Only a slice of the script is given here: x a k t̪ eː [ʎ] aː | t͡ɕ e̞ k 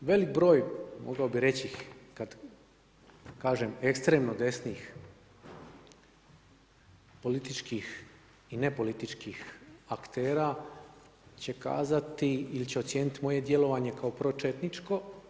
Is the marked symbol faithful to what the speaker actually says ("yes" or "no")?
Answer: no